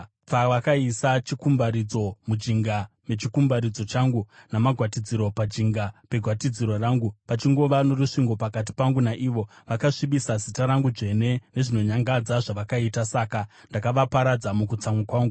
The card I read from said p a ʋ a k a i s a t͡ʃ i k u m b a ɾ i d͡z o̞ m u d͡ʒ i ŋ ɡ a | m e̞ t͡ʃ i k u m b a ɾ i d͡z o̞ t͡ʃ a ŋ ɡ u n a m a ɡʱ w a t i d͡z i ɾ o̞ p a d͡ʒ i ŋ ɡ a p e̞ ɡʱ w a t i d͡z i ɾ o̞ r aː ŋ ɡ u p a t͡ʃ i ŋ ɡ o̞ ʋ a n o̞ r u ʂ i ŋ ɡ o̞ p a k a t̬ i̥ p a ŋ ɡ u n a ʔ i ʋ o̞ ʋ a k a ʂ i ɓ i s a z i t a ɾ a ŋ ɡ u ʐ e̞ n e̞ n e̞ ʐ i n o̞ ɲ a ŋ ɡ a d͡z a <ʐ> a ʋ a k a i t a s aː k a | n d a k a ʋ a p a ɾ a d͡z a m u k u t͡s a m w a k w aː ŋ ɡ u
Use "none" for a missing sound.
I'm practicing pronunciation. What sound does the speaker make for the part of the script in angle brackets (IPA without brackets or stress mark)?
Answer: ʐ